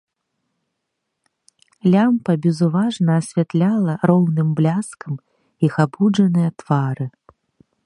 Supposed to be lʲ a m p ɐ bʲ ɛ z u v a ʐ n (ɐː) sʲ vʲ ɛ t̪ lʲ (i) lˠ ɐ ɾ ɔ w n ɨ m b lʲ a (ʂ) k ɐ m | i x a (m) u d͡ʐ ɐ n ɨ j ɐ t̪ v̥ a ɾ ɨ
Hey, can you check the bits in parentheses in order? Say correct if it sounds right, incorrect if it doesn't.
correct, incorrect: a, incorrect: s, incorrect: b

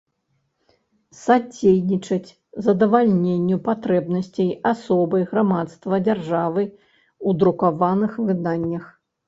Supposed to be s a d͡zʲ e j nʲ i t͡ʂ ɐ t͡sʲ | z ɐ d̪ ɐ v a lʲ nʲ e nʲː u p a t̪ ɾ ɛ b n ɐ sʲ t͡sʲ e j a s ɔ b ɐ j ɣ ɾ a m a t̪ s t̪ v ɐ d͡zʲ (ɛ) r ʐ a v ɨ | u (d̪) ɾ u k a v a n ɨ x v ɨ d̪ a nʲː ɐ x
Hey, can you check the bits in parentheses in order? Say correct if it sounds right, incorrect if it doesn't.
incorrect: a, correct

